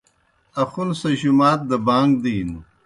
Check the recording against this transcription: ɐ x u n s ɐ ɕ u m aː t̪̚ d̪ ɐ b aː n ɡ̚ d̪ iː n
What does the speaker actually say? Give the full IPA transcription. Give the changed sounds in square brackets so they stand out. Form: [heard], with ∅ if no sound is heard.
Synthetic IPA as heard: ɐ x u n s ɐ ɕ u m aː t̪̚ d̪ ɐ b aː [ŋ] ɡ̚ d̪ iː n